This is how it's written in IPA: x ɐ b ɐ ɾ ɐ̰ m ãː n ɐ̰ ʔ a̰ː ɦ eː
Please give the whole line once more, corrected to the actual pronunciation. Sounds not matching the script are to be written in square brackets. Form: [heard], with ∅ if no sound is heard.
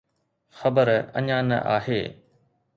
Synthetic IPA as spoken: x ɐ b [ə] ɾ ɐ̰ [ɲ] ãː n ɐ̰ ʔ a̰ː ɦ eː